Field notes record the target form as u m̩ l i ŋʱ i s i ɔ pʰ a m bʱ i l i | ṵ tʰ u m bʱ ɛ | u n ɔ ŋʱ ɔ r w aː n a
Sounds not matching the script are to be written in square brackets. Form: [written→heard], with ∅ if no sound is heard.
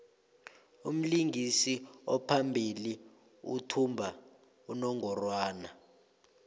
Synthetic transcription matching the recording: u m̩ l i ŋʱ i s i ɔ pʰ a m bʱ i l i | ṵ tʰ u m bʱ [ɛ→a] | u n ɔ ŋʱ ɔ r w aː n a